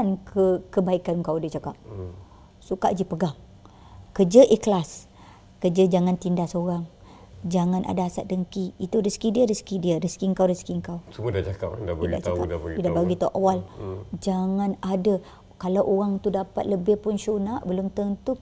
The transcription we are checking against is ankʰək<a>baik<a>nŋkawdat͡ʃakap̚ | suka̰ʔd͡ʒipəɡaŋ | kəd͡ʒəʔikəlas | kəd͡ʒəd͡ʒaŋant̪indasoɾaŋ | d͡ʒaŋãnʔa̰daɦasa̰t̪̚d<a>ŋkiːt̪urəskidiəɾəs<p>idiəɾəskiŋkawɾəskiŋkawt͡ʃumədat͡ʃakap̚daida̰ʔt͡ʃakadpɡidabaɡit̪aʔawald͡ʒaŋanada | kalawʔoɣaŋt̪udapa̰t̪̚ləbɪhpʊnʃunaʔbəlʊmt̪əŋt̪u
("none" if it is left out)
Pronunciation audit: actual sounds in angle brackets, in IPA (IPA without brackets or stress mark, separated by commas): ə, a, ə, k